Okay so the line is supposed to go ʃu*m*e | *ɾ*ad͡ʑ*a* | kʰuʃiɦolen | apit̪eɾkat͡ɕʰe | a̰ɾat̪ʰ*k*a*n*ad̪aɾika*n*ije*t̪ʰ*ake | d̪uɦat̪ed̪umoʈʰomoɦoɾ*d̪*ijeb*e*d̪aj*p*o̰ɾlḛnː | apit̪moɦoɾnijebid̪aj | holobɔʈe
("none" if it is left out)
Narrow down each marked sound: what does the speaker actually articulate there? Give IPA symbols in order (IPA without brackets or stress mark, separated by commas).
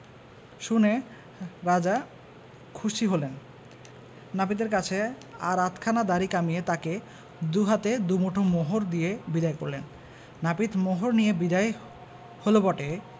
n, ɾ, a, kʰ, n, m, t̪, d̪, i, k